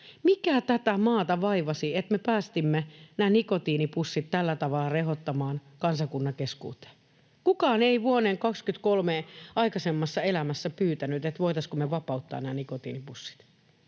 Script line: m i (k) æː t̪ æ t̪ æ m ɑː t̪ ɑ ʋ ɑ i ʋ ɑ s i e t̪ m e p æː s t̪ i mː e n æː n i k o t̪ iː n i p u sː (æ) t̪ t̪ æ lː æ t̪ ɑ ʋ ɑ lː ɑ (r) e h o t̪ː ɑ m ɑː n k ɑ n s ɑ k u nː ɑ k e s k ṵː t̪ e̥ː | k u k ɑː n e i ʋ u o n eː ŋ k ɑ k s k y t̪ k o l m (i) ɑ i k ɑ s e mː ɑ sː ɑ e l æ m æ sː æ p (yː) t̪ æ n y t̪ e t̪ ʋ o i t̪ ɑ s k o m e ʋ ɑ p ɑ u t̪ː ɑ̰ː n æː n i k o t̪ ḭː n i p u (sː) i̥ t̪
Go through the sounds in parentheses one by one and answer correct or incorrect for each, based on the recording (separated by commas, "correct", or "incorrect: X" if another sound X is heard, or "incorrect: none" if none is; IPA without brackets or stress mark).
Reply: correct, incorrect: i, correct, incorrect: e, correct, correct